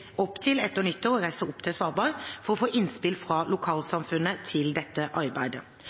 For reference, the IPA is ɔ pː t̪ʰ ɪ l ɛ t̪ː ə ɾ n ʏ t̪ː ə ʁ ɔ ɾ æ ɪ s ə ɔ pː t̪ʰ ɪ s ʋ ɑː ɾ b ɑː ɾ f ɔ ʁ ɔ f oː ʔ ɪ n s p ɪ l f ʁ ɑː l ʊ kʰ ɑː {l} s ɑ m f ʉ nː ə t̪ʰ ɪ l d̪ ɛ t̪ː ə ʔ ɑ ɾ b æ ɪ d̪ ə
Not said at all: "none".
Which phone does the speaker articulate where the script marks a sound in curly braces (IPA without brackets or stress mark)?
l